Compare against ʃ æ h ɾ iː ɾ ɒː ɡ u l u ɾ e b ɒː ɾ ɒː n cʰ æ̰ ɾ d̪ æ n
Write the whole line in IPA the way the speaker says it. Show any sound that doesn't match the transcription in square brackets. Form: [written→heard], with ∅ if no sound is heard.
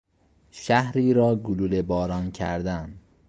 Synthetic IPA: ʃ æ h ɾ iː ɾ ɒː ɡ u l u [ɾ→l] e b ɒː ɾ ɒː n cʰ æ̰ ɾ d̪ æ n